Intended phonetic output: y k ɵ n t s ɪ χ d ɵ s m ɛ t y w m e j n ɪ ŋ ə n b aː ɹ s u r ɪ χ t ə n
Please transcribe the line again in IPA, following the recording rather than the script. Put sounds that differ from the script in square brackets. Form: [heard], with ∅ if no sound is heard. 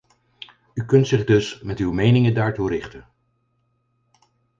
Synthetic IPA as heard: y k ɵ n t s ɪ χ d ɵ s m ɛ t y w m e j n ɪ ŋ ə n [d] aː ɹ [t] u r ɪ χ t ə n